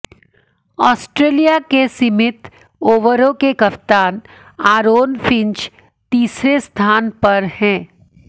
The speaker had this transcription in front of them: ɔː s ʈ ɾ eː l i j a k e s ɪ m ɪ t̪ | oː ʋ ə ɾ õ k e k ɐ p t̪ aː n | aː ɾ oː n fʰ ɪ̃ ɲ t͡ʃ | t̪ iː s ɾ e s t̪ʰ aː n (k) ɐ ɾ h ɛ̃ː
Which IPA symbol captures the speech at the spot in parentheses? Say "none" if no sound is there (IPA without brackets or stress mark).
p